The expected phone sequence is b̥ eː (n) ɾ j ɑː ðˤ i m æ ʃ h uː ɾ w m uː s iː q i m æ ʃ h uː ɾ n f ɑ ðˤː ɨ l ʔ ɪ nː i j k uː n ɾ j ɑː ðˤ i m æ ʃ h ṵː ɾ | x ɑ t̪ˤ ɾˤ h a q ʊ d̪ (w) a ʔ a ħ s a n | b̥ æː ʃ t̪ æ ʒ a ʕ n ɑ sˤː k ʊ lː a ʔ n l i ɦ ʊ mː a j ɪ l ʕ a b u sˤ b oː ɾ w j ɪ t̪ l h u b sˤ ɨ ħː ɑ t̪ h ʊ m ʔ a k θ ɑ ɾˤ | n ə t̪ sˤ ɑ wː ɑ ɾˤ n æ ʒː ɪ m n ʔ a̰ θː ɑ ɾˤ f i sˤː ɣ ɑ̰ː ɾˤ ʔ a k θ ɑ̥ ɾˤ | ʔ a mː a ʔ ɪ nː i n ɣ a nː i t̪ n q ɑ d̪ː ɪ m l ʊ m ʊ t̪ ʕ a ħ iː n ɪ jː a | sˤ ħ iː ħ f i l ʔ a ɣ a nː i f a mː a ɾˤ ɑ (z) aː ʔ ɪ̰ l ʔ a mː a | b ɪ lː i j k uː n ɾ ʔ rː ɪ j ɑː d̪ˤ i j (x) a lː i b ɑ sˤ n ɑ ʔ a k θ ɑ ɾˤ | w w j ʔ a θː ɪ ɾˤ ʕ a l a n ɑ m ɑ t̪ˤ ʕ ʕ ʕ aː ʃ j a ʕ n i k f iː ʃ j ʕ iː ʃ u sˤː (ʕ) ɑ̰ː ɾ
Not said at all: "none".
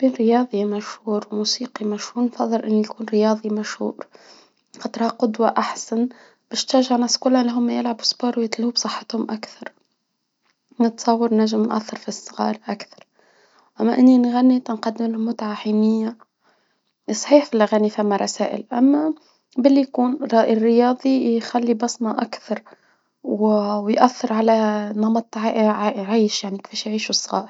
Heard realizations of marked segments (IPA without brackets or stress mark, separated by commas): n, w, s, x, ɣ